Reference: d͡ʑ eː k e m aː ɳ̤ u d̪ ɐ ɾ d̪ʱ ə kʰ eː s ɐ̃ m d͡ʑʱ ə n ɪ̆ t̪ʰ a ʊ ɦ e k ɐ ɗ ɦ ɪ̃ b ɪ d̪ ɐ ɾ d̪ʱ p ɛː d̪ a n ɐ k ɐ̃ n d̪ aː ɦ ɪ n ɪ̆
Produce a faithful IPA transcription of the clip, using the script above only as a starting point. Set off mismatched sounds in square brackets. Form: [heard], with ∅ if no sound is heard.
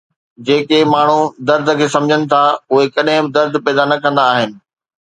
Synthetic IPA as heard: d͡ʑ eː k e m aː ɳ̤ u d̪ ɐ ɾ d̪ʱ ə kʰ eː s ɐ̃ m d͡ʑʱ ə n ɪ̆ t̪ʰ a ʊ ɦ e k ɐ ɗ ɦ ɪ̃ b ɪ d̪ ɐ ɾ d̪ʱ p ɛː d̪ a n ɐ k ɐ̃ n d̪ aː ɦ ɪ n ɪ̆

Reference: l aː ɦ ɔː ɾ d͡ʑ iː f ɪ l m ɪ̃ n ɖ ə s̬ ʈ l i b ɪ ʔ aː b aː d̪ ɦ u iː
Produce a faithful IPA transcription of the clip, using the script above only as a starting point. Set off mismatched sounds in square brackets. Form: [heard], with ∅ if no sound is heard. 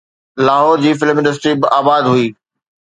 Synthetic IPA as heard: l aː ɦ ɔː ɾ d͡ʑ iː f ɪ l m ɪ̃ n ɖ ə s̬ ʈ [ɾ] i b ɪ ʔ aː b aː d̪ ɦ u iː

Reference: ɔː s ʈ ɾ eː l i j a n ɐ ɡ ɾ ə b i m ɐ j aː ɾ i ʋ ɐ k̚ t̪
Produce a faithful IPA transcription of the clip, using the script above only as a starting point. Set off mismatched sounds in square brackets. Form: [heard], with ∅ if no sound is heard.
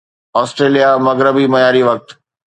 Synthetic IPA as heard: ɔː s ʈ ɾ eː l i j a [m] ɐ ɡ ɾ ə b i m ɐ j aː ɾ i ʋ ɐ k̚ t̪

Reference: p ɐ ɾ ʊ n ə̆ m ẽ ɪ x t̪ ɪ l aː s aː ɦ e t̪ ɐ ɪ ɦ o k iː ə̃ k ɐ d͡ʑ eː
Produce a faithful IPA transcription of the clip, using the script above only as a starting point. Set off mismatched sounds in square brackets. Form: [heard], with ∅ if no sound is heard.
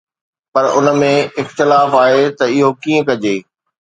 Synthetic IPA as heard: p ɐ ɾ ʊ n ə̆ m ẽ ɪ x t̪ ɪ l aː [f] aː ɦ e t̪ ɐ ɪ ɦ o k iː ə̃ k ɐ d͡ʑ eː

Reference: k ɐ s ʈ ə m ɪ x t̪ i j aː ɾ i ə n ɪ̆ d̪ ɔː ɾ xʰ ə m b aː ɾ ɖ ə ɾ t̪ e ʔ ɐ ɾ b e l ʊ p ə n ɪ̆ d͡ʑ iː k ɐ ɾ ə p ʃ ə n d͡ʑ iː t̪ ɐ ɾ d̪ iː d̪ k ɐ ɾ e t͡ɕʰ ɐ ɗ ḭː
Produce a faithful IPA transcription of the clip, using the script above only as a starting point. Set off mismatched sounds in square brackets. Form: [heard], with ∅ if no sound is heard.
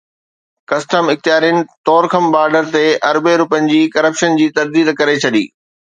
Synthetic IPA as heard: k ɐ s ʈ ə m ɪ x t̪ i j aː ɾ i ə n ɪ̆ [t̪] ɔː ɾ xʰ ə m b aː ɾ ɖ ə ɾ t̪ e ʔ ɐ ɾ b e [ɾ] ʊ p ə n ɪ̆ d͡ʑ iː k ɐ ɾ ə p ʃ ə n d͡ʑ iː t̪ ɐ ɾ d̪ iː d̪ k ɐ ɾ e t͡ɕʰ ɐ ɗ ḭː

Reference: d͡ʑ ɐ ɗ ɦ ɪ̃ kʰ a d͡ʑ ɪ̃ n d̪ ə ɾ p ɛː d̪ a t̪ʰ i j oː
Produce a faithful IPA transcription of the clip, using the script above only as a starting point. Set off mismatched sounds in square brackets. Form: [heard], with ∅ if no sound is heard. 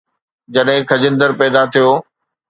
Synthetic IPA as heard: d͡ʑ ɐ ɗ ɦ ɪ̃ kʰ [ɐ] d͡ʑ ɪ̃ n d̪ ə ɾ p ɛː d̪ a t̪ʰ i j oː

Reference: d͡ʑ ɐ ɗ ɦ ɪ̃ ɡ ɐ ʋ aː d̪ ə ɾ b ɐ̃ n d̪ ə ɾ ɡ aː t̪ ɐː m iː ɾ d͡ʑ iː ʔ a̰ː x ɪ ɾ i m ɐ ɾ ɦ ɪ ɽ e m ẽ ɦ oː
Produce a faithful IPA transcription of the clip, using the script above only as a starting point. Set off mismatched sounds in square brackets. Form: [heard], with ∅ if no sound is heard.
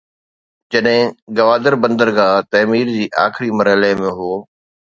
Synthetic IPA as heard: d͡ʑ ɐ ɗ ɦ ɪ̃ ɡ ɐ ʋ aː d̪ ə ɾ b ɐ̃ n d̪ ə ɾ ɡ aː t̪ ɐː m iː ɾ d͡ʑ iː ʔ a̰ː x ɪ ɾ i m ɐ ɾ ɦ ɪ [l] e m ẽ ɦ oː

